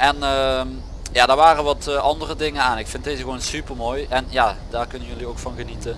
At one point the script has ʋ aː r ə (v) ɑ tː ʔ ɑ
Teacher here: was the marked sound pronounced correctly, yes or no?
no